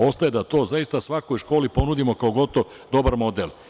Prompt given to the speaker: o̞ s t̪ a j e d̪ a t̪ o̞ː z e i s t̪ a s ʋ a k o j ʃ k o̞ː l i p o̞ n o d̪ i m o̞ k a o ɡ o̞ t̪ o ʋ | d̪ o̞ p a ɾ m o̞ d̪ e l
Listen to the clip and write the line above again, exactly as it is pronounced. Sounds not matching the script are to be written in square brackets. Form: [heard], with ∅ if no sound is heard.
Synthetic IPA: o̞ s t̪ a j e d̪ a t̪ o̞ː z [a] i s t̪ a s ʋ a k o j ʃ k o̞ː l i p o̞ n [u] d̪ i m o̞ k a o ɡ o̞ t̪ o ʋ | d̪ o̞ [b] a ɾ m o̞ d̪ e l